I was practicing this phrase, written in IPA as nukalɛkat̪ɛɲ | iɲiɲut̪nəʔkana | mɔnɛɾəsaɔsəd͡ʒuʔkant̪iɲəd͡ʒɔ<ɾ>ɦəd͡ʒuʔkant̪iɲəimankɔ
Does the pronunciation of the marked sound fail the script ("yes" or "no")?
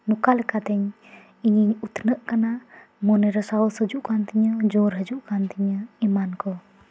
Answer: no